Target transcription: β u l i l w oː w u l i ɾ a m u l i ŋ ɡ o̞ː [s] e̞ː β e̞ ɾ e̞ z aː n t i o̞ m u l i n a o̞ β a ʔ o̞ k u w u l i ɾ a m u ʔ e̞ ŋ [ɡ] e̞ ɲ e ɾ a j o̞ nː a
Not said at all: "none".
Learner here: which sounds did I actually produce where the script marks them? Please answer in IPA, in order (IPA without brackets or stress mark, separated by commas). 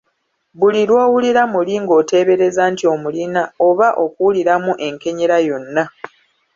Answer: t, k